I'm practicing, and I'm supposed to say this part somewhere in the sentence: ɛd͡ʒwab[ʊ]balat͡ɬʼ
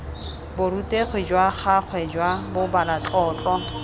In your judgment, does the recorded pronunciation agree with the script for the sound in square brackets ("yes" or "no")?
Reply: yes